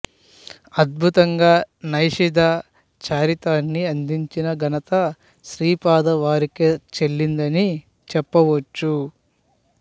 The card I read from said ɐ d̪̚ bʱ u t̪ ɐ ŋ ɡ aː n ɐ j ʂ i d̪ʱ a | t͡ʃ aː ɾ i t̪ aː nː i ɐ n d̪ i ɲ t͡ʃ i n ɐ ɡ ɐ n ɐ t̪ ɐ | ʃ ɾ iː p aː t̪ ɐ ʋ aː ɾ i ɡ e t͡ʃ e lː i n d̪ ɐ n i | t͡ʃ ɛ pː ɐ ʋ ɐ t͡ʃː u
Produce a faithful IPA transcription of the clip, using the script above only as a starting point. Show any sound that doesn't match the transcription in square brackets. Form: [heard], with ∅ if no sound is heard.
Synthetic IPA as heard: ɐ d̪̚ bʱ u t̪ ɐ ŋ ɡ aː n ɐ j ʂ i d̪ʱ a | t͡ʃ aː ɾ i t̪ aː nː i ɐ n d̪ i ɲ t͡ʃ i n ɐ ɡ ɐ n ɐ t̪ ɐ | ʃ ɾ iː p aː [d̪] ɐ ʋ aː ɾ i [k] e t͡ʃ e lː i n d̪ ɐ n i | t͡ʃ ɛ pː ɐ ʋ ɐ t͡ʃː u